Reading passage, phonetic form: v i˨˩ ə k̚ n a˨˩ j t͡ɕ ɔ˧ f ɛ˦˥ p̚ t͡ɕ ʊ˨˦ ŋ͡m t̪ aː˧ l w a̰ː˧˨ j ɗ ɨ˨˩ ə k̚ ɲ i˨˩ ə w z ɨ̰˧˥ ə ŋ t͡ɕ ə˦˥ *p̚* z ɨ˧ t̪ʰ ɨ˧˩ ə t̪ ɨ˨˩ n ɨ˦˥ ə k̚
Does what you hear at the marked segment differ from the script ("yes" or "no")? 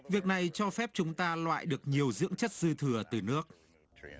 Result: yes